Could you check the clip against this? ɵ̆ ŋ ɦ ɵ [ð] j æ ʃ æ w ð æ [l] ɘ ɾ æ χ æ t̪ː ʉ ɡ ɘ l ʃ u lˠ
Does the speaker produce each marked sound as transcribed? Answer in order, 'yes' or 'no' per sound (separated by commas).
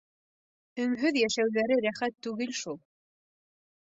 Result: yes, no